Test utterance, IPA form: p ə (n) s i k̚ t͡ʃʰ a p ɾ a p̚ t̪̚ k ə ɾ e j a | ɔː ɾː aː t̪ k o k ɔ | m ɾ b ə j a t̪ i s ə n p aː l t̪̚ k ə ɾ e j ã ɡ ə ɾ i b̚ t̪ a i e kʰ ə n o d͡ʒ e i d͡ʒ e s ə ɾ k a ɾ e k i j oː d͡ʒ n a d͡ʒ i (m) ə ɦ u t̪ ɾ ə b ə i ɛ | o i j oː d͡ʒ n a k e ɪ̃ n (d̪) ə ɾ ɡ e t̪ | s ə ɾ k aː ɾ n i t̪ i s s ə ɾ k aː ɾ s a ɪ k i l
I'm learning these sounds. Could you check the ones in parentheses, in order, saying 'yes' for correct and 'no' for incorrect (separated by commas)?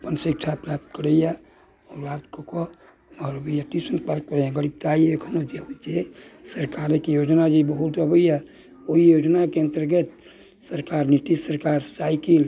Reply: yes, no, no